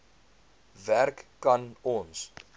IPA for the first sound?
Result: v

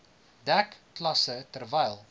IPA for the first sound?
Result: d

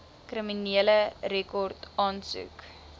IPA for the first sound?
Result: k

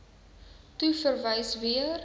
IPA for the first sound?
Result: t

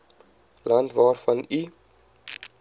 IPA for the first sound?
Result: l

